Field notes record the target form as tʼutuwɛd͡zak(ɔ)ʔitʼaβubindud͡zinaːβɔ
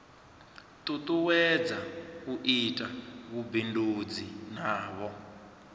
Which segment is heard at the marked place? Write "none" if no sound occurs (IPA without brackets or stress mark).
u